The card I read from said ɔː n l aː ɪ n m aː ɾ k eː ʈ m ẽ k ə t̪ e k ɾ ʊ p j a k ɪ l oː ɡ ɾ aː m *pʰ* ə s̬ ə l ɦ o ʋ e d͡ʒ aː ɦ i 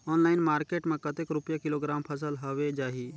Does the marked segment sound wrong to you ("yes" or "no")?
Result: no